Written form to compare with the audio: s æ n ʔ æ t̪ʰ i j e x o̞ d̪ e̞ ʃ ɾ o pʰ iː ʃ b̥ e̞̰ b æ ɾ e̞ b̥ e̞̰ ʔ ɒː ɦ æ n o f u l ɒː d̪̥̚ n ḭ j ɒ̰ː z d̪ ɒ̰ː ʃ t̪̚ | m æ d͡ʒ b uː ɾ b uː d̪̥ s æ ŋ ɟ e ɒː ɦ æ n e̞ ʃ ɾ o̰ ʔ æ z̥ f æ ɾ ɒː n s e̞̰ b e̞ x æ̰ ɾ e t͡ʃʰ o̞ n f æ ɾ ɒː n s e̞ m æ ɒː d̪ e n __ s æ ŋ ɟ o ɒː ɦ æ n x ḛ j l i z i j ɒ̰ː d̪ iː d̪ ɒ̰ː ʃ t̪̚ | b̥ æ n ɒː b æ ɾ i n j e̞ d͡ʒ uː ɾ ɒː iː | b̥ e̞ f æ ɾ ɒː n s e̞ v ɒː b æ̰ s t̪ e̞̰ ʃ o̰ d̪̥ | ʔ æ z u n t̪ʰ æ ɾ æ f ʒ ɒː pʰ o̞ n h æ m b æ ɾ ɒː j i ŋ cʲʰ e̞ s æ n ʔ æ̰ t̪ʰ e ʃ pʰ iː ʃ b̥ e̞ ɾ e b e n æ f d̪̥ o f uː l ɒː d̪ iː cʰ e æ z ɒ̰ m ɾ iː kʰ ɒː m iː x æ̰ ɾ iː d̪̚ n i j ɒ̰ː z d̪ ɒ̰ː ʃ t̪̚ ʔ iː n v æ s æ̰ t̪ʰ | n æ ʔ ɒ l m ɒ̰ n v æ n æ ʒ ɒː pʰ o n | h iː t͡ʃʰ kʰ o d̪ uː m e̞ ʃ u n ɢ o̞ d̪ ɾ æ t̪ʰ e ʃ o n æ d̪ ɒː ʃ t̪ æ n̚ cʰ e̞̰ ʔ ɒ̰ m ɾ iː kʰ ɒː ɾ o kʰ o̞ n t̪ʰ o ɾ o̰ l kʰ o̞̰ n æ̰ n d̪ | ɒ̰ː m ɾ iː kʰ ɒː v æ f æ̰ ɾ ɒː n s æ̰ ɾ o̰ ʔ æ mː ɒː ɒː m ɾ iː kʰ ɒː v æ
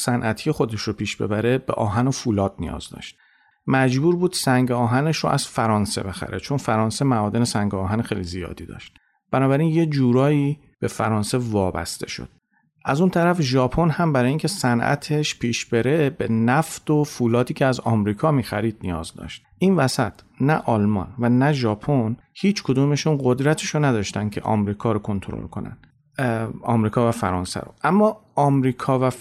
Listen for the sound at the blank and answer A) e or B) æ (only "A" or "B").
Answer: A